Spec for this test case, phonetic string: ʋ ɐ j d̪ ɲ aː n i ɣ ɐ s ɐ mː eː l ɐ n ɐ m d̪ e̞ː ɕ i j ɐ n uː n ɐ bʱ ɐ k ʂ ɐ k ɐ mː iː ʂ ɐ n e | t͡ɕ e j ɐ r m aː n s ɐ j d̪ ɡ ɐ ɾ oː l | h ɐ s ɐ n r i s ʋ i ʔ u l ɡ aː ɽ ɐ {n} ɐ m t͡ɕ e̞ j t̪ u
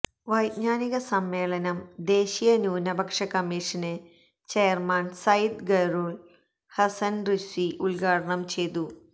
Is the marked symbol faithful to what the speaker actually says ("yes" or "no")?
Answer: no